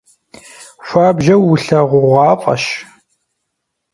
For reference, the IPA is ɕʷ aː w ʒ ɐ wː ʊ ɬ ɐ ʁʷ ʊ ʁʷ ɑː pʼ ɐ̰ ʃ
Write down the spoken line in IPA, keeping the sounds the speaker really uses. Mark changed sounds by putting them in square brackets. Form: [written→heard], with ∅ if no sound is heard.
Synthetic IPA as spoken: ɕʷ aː [w→b] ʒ ɐ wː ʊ ɬ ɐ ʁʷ ʊ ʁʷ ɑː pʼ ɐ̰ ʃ